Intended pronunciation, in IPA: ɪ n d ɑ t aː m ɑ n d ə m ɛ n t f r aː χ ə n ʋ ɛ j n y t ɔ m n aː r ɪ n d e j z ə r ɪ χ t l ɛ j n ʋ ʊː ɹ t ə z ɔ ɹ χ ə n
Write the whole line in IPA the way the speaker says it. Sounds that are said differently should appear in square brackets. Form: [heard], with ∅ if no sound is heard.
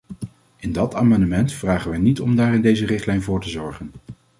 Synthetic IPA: ɪ n d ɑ t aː m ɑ n d ə m ɛ n t f r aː χ ə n ʋ ɛ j n [i] t ɔ m [d] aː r ɪ n d e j z ə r ɪ χ t l ɛ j n [v] ʊː ɹ t ə z ɔ ɹ χ ə n